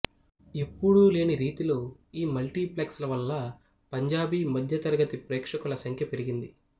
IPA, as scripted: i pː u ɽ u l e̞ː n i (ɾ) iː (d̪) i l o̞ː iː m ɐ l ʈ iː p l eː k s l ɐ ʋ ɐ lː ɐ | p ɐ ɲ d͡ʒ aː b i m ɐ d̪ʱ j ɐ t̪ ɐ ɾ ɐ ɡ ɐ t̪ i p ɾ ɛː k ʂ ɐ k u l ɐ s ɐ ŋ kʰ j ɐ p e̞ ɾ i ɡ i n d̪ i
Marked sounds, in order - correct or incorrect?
correct, incorrect: t̪

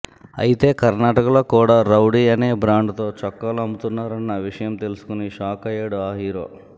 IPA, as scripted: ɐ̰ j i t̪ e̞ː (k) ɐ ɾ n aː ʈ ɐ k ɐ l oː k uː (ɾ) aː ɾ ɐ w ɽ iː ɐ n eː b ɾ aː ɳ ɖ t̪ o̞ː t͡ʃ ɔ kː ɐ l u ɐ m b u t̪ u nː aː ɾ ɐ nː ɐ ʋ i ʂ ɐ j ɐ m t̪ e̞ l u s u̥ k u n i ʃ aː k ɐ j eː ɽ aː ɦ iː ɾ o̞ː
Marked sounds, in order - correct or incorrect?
correct, incorrect: ɽ

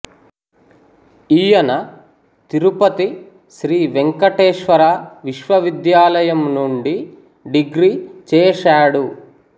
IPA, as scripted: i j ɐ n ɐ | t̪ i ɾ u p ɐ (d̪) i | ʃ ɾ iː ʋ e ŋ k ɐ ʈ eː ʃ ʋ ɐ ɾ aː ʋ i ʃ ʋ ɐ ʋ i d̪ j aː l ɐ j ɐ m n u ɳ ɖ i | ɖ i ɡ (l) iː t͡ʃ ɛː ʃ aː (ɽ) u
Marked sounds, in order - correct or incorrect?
incorrect: t̪, incorrect: ɾ, correct

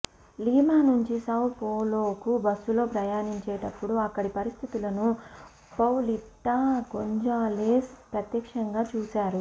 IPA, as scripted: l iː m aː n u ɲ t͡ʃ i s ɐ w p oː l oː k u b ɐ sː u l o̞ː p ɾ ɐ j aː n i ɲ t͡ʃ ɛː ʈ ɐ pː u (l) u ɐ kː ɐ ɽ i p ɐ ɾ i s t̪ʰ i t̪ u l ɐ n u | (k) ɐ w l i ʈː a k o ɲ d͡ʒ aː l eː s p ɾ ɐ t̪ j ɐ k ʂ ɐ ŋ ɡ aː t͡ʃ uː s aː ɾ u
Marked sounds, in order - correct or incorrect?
incorrect: ɽ, incorrect: p

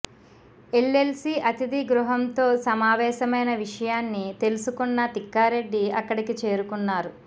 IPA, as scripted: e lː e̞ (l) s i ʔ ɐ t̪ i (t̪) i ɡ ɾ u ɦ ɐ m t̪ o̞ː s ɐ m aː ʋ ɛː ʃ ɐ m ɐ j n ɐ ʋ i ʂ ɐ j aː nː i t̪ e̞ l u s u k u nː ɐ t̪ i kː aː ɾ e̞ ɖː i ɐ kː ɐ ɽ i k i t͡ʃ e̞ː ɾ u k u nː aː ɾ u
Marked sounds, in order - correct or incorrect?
correct, incorrect: d̪

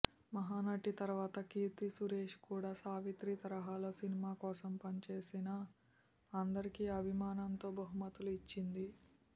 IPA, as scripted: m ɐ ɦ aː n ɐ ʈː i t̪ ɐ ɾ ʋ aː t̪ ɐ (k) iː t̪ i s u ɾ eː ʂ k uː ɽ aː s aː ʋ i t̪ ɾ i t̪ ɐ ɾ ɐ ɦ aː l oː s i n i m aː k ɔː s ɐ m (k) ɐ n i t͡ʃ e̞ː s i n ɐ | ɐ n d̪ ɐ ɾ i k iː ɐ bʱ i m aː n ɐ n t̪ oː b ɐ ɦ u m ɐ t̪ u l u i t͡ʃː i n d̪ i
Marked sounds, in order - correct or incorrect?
correct, incorrect: p

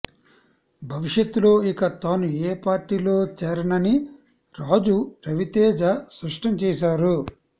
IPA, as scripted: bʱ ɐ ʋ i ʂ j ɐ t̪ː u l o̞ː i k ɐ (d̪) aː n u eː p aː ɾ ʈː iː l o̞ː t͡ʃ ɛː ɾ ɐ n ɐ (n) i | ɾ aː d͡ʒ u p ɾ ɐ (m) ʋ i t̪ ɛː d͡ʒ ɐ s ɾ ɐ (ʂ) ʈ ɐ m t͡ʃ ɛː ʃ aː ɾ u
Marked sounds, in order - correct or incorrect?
incorrect: t̪, correct, incorrect: none, correct

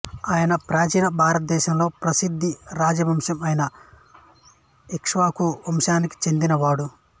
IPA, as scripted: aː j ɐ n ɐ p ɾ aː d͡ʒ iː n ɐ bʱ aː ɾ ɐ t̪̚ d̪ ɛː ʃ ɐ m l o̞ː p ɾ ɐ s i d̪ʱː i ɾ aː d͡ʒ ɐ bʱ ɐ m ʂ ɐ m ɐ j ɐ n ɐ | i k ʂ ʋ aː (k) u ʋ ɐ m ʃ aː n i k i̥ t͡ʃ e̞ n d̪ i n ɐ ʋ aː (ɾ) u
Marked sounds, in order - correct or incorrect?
correct, incorrect: ɽ

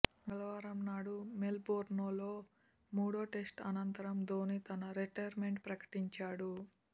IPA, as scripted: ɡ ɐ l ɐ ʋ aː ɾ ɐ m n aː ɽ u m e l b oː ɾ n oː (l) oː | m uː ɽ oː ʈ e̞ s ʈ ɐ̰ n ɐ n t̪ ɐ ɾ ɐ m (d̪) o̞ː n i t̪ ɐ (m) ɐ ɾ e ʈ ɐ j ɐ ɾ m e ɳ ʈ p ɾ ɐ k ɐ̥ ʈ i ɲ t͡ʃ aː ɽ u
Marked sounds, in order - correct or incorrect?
correct, correct, incorrect: n

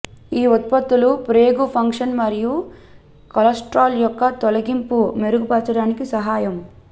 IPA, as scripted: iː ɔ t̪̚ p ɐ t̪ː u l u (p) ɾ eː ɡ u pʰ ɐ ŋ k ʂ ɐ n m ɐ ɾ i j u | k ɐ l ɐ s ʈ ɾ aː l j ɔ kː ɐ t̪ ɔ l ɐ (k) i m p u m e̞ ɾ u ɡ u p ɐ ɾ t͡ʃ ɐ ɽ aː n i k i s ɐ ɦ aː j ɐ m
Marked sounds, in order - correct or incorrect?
correct, incorrect: ɡ

